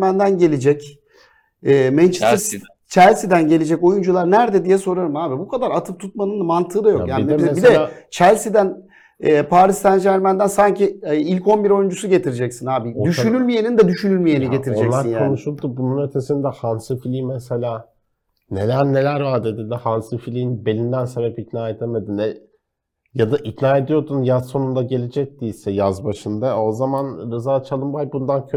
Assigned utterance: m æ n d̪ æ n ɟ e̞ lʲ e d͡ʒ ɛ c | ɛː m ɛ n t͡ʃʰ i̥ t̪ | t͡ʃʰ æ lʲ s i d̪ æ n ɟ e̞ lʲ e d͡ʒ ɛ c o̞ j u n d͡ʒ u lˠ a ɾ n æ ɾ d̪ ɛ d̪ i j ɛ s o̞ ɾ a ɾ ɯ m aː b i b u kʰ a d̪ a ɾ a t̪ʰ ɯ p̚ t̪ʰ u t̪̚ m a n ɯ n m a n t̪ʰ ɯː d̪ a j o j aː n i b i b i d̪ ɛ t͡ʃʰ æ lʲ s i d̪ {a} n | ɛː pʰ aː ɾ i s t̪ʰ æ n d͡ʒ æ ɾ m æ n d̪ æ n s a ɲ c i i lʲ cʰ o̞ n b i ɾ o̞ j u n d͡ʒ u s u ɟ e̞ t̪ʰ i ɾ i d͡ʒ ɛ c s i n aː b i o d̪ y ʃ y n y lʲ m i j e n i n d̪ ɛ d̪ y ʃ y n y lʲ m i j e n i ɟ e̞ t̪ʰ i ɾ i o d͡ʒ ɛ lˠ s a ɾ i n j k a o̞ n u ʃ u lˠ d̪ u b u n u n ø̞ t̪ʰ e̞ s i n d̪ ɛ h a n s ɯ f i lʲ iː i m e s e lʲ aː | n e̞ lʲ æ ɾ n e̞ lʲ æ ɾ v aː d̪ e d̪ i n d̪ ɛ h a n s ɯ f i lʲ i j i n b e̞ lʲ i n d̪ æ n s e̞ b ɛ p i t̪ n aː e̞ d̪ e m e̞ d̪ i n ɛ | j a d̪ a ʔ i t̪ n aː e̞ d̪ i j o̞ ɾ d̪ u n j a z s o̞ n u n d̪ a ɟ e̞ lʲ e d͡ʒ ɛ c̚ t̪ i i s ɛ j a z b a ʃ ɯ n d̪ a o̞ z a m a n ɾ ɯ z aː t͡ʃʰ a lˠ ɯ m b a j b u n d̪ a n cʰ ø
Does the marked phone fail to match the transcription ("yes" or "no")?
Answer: yes